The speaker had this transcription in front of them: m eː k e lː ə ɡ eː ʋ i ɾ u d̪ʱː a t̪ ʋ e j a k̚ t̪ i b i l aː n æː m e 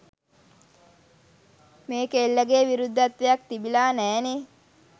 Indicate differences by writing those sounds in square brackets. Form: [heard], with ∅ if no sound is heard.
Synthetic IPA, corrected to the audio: m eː k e lː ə ɡ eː ʋ i ɾ u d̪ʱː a t̪ ʋ e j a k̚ t̪ i b i l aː n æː [n] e